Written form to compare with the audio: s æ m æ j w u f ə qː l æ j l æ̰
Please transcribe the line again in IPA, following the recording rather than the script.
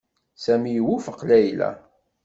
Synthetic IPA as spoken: s æ m i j w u f ə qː l æ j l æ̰